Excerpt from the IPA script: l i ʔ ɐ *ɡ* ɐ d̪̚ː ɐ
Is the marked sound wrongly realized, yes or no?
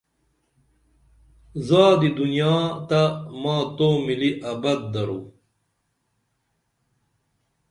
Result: yes